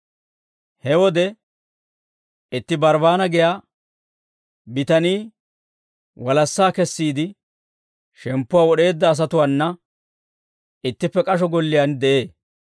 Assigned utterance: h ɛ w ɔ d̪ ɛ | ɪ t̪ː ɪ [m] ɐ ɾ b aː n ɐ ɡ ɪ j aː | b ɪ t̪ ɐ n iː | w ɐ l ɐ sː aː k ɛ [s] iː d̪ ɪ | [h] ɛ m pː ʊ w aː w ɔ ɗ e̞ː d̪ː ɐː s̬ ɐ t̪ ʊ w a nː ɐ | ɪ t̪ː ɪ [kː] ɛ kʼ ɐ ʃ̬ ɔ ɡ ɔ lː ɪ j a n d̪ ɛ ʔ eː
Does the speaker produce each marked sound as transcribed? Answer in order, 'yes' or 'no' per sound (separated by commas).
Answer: no, no, no, no